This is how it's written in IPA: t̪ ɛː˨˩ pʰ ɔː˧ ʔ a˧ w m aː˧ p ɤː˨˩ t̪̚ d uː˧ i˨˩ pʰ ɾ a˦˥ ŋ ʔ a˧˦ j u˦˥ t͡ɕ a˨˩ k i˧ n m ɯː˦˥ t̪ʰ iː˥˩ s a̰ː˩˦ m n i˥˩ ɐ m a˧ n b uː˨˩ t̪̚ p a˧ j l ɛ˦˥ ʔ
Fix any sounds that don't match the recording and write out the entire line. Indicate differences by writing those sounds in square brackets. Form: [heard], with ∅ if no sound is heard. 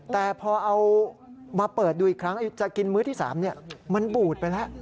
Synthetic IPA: t̪ ɛː˨˩ pʰ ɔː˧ ʔ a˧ w m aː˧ p ɤː˨˩ t̪̚ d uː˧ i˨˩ [kʰ] ɾ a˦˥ ŋ ʔ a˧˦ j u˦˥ t͡ɕ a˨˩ k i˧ n m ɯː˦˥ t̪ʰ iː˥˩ s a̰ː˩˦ m n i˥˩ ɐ m a˧ n b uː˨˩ t̪̚ p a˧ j l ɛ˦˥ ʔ